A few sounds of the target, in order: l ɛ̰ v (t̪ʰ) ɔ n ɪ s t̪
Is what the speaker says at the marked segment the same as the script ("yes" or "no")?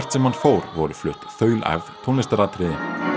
yes